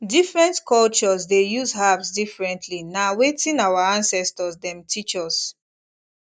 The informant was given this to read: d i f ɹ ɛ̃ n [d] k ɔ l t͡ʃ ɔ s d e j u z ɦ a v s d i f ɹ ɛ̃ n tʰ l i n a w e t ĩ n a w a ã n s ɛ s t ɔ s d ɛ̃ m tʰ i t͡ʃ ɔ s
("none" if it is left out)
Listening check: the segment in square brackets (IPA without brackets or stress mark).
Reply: t